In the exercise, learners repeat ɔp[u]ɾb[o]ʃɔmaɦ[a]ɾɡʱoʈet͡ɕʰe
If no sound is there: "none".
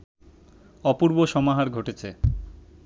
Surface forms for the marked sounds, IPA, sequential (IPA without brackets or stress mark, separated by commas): u, o, a